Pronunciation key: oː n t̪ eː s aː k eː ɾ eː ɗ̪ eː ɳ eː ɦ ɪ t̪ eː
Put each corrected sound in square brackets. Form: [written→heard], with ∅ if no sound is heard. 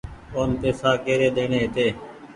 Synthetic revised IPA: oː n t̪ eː s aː k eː ɾ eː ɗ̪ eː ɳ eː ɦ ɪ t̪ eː